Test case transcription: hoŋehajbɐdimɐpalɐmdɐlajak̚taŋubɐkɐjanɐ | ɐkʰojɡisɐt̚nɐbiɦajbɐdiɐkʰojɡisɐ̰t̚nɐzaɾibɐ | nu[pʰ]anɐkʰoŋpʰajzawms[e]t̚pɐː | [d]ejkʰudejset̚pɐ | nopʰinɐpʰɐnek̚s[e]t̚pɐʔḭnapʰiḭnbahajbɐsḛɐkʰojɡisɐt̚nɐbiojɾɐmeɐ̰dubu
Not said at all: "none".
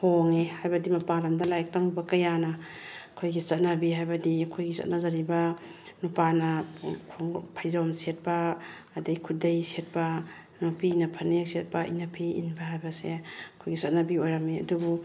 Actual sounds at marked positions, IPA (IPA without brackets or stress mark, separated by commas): p, e, d, e